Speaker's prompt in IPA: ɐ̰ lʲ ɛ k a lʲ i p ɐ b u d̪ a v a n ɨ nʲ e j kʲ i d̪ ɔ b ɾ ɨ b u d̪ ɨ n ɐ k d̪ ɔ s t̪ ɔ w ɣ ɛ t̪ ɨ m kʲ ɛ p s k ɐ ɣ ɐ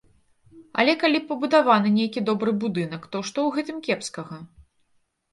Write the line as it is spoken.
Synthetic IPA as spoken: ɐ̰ lʲ ɛ k a lʲ i p ɐ b u d̪ a v a n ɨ nʲ e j kʲ i d̪ ɔ b ɾ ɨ b u d̪ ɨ n ɐ k t̪ ɔ ʂ t̪ ɔ w ɣ ɛ t̪ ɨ m kʲ ɛ p s k ɐ ɣ ɐ